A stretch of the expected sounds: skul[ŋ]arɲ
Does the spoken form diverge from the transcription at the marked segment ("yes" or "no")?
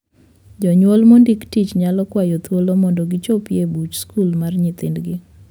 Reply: yes